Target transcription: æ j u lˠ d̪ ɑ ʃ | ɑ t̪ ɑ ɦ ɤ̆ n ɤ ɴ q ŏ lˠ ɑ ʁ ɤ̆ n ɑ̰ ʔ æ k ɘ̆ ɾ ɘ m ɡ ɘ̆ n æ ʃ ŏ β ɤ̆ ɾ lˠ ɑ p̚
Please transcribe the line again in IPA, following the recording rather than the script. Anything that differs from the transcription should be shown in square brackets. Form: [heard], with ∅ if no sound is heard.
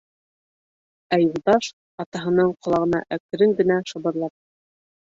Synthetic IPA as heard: æ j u lˠ d̪ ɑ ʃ | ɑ t̪ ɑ ɦ ɤ̆ n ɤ ɴ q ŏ lˠ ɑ ʁ ɤ̆ n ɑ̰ ʔ æ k ɘ̆ ɾ ɘ [ŋ] ɡ ɘ̆ n æ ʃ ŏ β ɤ̆ ɾ lˠ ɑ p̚